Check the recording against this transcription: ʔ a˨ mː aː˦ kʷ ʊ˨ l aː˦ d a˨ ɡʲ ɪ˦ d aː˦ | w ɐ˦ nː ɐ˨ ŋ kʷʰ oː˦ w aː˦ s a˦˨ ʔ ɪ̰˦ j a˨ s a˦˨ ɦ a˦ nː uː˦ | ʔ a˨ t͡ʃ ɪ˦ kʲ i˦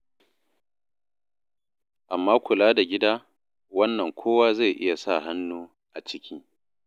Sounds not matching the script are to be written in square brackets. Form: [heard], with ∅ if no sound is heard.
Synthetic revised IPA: ʔ a˨ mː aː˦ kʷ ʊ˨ l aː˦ d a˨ ɡʲ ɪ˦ d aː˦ | w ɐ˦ nː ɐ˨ ŋ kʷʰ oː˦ w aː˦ [z] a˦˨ ʔ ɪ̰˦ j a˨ s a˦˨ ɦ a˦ nː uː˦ | ʔ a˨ t͡ʃ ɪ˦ kʲ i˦

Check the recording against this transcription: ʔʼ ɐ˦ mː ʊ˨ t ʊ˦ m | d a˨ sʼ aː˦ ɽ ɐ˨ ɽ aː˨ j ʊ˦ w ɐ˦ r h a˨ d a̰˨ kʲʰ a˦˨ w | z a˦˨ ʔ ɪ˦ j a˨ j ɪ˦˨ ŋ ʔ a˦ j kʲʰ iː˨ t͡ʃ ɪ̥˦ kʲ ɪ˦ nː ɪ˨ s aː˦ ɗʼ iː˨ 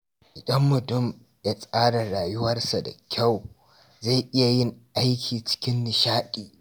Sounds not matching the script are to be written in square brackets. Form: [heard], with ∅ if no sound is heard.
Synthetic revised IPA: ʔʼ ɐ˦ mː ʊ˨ t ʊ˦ m | d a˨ sʼ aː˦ ɽ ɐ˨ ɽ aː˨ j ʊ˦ w ɐ˦ r [s] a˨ d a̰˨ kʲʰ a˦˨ w | z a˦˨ ʔ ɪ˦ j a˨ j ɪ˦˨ ŋ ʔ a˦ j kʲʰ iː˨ t͡ʃ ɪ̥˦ kʲ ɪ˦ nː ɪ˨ [ʃ] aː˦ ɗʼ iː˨

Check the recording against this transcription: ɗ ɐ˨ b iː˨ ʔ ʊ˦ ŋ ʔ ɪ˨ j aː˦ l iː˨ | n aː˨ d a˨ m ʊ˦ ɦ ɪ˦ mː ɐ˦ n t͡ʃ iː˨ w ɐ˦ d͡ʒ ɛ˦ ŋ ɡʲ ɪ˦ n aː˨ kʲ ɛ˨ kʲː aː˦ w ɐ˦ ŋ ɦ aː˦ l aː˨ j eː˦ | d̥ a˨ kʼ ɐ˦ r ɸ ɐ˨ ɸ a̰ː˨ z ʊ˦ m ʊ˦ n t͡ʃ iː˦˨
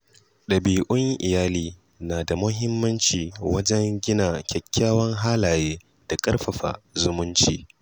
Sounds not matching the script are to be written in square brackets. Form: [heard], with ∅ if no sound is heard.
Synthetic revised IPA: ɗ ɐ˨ b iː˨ ʔ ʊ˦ ŋ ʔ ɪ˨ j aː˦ l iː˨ | n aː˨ d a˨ m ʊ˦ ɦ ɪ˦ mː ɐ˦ n t͡ʃ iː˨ w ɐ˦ d͡ʒ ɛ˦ ŋ ɡʲ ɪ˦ n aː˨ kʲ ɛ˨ kʲː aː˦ w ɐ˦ ŋ ɦ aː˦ l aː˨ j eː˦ | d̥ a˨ kʼ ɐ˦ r ɸ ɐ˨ ɸ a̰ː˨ z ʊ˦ m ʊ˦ n t͡ʃ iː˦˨

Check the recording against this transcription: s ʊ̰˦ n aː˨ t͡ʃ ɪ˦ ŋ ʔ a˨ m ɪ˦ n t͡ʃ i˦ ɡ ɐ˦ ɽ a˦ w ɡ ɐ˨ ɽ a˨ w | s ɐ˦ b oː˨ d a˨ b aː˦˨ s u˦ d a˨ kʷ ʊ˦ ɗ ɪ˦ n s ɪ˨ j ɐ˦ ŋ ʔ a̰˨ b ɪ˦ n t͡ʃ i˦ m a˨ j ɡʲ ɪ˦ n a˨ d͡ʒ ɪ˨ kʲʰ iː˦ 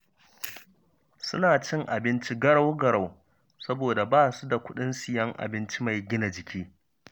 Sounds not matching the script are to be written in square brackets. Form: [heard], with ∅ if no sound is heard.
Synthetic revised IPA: s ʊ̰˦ n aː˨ t͡ʃ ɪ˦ ŋ ʔ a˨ [b] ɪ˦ n t͡ʃ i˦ ɡ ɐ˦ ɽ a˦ w ɡ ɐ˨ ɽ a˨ w | s ɐ˦ b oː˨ d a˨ b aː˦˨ s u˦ d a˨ kʷ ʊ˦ ɗ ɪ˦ n s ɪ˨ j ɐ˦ ŋ ʔ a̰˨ b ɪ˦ n t͡ʃ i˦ m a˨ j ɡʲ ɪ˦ n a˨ d͡ʒ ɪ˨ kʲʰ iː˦

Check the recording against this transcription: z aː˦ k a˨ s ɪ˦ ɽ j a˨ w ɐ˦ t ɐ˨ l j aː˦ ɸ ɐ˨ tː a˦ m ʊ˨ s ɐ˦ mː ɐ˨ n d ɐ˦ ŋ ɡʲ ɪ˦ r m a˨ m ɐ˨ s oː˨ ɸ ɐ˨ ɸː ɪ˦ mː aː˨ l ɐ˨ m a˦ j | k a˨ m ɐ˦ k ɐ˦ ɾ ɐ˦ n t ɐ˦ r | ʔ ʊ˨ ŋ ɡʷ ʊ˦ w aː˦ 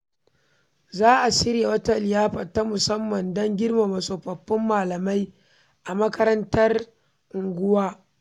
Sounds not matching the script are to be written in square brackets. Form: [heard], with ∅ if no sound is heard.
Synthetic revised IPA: z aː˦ [ʔ] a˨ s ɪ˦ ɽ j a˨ w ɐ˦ t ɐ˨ l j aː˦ ɸ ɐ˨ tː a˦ m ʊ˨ s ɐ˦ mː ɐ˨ n d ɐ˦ ŋ ɡʲ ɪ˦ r m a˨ m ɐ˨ s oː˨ ɸ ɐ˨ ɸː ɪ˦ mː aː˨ l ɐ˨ m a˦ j | [ʔ] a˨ m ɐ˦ k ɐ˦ ɾ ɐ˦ n t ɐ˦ r | ʔ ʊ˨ ŋ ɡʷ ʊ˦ w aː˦

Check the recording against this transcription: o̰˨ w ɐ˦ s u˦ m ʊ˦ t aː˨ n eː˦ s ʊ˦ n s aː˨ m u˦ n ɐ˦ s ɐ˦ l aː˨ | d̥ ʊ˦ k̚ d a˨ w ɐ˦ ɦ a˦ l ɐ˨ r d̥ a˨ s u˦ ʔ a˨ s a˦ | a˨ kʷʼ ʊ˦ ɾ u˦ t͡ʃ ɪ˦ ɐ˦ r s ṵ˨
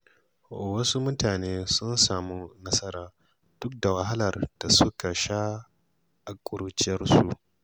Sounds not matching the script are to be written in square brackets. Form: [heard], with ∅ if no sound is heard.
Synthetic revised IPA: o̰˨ w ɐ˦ s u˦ m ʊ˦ t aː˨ n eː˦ s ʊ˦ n s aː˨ m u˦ n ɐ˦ s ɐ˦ [ɾ] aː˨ | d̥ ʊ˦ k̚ d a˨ w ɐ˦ ɦ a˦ l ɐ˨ r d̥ a˨ s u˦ [k] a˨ [ʃ] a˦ | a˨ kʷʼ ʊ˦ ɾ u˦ t͡ʃ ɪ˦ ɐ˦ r s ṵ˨

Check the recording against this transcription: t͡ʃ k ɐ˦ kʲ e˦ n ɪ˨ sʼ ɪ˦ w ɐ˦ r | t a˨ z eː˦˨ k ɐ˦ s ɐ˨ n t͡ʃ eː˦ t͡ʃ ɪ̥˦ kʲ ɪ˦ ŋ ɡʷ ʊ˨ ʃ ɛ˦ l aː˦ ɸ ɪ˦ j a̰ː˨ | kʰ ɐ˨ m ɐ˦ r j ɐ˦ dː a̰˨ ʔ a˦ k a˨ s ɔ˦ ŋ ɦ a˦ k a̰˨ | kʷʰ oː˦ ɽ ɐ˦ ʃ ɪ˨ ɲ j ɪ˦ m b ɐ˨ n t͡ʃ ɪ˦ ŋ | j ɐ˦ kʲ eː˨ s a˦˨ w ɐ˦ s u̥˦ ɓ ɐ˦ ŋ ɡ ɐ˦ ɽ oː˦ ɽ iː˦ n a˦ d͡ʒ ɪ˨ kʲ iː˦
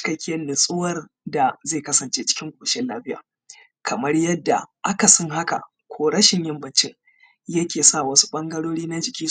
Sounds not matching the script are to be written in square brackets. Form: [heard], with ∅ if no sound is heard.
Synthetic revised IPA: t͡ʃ k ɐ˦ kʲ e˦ n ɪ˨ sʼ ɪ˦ w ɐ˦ r | [d] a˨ z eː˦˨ k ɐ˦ s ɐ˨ n t͡ʃ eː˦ t͡ʃ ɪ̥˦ kʲ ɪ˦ ŋ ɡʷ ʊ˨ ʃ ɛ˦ l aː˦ ɸ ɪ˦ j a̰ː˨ | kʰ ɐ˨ m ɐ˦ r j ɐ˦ dː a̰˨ ʔ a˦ k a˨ s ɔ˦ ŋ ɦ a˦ k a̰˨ | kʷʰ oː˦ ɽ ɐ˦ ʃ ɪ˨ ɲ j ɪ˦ m b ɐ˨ n t͡ʃ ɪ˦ ŋ | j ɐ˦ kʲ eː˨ s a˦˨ w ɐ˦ s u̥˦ ɓ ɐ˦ ŋ ɡ ɐ˦ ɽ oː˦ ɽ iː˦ n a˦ d͡ʒ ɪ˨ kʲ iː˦

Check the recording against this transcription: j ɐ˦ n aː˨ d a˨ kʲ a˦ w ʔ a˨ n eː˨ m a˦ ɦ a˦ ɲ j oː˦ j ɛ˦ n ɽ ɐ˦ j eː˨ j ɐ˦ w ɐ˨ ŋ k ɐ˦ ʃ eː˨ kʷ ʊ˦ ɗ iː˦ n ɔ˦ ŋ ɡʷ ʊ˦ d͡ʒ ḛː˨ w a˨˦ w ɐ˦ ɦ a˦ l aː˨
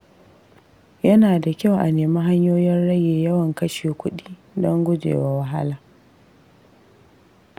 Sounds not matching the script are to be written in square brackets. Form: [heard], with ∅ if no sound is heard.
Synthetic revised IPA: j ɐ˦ n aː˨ d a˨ kʲ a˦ w ʔ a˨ n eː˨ m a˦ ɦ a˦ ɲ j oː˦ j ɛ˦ n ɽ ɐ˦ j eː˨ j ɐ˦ w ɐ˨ ŋ k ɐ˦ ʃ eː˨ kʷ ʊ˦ ɗ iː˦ [d] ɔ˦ ŋ ɡʷ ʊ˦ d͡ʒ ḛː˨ w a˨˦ w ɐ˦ ɦ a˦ l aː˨

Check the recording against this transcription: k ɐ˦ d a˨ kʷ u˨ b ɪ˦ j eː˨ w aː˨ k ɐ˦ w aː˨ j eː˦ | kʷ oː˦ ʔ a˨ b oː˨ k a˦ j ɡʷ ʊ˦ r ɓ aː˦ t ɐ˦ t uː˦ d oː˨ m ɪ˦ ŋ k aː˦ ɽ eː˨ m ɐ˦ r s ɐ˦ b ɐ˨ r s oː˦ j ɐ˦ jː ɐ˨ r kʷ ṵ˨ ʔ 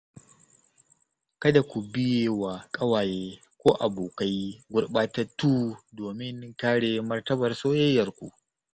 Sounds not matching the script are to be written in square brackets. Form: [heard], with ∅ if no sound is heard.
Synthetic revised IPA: k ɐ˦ d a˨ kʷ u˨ b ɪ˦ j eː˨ w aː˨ [kʼ] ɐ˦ w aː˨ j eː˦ | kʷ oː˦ ʔ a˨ b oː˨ k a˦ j ɡʷ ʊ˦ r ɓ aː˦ t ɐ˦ t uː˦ d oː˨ m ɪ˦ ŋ k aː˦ ɽ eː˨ m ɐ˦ r [t] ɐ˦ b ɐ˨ r s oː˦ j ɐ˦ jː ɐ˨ r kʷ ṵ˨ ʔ

